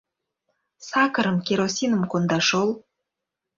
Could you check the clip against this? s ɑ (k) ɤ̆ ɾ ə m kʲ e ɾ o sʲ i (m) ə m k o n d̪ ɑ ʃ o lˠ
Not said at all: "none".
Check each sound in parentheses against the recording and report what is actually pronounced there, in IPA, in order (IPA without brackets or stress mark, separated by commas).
k, n